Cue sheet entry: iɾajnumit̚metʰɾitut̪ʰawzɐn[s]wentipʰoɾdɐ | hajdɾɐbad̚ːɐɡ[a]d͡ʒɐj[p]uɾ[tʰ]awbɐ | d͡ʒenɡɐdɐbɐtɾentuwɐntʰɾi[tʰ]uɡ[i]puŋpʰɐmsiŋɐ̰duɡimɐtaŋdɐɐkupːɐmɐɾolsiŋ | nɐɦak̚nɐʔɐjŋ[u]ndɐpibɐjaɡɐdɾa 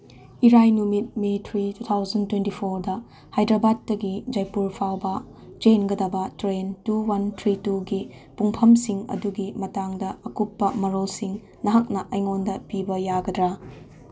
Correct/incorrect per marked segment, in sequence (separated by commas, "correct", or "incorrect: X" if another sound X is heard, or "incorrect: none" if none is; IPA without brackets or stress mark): incorrect: t, incorrect: i, correct, incorrect: pʰ, incorrect: t, correct, incorrect: o